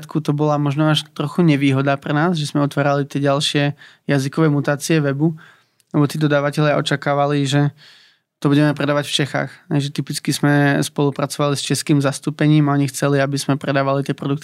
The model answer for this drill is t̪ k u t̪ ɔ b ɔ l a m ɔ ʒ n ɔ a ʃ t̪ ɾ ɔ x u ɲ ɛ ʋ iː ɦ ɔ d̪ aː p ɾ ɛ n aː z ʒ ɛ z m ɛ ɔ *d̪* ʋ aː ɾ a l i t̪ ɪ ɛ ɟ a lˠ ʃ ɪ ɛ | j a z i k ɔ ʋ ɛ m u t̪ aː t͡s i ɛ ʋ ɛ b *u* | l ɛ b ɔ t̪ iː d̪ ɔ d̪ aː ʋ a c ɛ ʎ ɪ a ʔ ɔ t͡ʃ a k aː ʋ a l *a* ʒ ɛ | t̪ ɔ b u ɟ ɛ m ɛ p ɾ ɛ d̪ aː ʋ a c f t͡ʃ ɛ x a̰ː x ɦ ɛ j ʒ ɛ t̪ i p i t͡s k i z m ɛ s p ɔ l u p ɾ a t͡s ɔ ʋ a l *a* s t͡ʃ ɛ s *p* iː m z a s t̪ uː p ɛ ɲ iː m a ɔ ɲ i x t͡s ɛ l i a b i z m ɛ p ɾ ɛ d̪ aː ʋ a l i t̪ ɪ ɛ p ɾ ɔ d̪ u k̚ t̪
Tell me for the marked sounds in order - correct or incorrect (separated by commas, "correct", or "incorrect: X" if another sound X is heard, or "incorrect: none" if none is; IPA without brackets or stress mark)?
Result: incorrect: t̪, correct, incorrect: i, incorrect: i, incorrect: k